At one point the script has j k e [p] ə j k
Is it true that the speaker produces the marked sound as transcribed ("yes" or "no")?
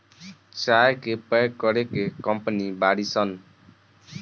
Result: yes